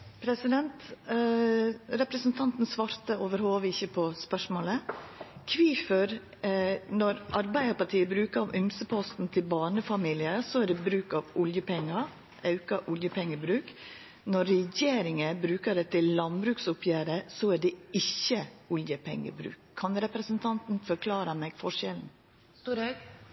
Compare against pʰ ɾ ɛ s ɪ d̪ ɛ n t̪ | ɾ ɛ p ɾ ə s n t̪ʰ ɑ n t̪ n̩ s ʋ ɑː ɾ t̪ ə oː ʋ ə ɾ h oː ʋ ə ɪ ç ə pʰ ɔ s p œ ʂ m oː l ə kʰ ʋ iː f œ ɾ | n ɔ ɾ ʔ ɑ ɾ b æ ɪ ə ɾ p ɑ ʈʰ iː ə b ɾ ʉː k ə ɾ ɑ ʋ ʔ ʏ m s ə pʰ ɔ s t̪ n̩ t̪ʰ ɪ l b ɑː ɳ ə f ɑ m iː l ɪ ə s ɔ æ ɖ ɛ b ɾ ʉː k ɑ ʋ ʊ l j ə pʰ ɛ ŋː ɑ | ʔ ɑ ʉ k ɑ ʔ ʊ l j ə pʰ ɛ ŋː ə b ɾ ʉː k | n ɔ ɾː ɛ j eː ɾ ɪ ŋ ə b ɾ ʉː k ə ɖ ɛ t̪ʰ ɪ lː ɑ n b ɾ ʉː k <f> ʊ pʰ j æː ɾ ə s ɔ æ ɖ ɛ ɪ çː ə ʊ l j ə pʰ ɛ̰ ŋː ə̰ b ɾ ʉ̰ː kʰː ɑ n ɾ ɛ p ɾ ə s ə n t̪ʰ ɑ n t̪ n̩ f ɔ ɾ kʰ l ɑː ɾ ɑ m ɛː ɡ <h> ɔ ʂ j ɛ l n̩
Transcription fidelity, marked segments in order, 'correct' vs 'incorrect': incorrect: s, incorrect: f

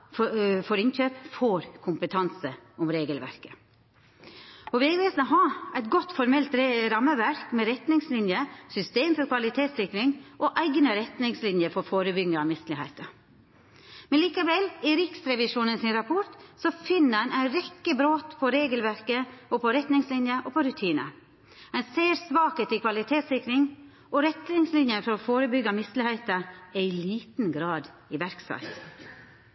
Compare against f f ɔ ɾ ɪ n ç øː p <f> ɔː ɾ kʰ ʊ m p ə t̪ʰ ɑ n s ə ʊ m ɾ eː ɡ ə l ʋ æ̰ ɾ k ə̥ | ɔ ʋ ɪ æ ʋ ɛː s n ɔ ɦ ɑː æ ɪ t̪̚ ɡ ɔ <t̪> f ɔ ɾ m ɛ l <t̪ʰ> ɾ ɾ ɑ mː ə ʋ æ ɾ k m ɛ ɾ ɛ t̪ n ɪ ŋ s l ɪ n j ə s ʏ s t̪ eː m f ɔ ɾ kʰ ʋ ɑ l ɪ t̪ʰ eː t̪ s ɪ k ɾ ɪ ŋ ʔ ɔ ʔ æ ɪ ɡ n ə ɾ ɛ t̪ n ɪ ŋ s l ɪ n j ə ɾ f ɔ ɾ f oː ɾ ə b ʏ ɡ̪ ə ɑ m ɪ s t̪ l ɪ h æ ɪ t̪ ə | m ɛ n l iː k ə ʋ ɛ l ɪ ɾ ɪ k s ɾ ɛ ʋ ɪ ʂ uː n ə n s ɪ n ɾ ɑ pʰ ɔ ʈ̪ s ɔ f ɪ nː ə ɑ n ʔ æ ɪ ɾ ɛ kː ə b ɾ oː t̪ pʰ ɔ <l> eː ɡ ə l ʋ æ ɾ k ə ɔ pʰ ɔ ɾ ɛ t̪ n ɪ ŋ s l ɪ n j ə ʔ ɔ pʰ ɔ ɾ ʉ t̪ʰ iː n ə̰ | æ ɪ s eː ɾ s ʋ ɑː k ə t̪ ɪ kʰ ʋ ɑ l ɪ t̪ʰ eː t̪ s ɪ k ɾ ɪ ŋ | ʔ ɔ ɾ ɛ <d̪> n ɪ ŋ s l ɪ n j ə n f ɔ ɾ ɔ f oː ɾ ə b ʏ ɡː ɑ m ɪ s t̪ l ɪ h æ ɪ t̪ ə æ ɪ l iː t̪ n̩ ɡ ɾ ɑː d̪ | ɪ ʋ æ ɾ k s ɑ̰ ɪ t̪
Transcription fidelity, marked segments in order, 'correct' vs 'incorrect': correct, correct, incorrect: t̪, incorrect: ɾ, incorrect: t̪

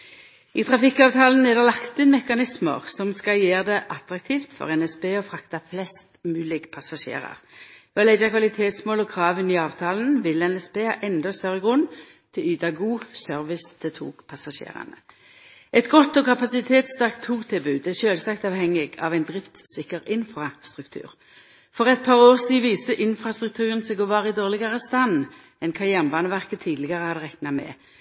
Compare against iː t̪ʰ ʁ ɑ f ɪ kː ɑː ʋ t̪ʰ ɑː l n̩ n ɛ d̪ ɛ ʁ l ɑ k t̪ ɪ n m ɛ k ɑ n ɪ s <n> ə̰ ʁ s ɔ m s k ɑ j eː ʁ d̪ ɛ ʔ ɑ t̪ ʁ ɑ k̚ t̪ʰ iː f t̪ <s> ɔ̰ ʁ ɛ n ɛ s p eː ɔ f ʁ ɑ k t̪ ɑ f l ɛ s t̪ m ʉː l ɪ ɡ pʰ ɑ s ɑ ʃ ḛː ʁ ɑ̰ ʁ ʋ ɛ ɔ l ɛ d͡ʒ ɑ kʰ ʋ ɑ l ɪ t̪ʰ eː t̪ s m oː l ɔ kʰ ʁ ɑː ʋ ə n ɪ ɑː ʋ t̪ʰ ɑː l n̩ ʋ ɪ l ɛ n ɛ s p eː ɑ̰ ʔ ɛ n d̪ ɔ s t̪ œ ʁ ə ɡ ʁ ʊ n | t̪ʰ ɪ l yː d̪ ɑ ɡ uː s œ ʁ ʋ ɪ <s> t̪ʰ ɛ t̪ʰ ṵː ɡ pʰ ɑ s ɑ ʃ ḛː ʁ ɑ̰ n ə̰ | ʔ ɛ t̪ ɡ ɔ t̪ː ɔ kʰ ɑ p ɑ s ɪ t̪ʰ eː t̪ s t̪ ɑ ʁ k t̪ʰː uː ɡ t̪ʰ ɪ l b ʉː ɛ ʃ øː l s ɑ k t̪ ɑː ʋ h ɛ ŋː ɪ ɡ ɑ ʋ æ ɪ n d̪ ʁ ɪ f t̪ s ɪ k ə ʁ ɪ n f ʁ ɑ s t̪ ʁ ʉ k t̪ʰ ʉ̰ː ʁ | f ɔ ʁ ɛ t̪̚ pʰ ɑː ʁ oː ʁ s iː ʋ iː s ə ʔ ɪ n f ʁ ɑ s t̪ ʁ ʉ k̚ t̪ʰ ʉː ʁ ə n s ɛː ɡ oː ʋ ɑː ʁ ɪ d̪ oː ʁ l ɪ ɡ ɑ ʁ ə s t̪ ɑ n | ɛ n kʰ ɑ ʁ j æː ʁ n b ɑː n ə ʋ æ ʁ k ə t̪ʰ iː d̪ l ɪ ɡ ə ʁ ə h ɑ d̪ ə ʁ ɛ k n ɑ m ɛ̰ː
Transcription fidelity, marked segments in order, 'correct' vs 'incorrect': incorrect: m, incorrect: f, correct

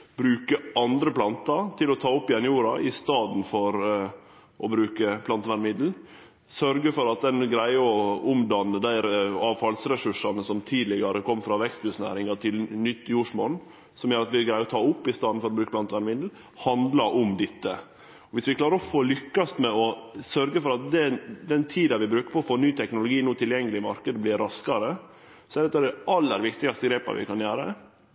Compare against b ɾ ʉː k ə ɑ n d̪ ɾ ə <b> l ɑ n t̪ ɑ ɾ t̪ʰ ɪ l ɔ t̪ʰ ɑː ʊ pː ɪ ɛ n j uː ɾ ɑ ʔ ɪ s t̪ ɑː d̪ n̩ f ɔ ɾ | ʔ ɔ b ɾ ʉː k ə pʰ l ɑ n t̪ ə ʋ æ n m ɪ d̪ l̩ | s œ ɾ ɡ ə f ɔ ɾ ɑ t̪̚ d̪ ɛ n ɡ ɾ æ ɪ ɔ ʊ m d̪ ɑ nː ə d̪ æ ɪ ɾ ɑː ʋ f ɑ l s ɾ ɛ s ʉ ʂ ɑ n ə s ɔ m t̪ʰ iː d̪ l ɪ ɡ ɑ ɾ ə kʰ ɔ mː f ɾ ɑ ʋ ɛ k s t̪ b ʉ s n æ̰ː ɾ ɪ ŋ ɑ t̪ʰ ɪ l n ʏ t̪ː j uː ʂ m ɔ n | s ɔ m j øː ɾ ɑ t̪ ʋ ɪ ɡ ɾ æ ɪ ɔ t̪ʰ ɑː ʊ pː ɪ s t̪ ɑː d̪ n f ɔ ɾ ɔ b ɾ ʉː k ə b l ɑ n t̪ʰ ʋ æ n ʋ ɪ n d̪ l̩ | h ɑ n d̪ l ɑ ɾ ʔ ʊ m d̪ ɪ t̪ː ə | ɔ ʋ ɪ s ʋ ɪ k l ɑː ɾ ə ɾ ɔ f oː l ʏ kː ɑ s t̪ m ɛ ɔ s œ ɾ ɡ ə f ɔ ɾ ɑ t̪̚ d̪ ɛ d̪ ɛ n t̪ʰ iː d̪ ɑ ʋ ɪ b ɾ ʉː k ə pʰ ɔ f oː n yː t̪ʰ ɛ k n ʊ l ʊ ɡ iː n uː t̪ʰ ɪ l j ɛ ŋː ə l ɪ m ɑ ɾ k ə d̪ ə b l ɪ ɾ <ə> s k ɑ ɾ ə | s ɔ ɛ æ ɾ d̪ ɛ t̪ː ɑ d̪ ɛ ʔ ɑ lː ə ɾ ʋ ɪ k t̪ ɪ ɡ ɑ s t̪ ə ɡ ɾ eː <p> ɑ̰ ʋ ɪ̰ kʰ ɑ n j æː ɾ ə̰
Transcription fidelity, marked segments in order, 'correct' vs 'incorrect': incorrect: p, incorrect: ɑ, correct

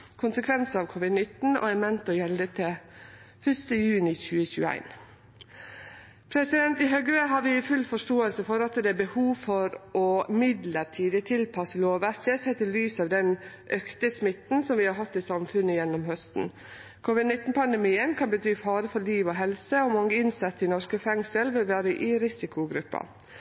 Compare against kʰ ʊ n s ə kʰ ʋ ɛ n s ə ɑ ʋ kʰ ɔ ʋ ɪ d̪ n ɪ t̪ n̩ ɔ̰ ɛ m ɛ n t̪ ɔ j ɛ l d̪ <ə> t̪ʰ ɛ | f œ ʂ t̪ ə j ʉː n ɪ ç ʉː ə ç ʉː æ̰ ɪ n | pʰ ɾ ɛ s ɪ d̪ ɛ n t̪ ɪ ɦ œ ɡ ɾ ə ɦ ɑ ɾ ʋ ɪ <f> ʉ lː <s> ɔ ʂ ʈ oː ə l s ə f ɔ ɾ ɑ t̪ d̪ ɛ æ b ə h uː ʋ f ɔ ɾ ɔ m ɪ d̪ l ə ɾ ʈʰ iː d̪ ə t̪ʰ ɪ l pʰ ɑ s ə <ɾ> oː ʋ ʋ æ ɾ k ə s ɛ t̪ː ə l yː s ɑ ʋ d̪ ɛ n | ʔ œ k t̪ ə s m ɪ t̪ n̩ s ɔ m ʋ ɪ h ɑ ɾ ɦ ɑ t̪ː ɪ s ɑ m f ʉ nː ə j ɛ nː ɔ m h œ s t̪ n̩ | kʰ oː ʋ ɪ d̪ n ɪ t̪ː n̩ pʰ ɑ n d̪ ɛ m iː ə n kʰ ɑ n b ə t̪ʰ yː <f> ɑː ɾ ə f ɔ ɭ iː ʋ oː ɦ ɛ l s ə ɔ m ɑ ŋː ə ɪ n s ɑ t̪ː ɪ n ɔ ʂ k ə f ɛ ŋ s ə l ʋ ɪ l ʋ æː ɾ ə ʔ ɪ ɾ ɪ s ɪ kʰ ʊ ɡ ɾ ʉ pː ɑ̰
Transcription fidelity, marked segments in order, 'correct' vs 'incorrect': correct, correct, incorrect: f, incorrect: l, correct

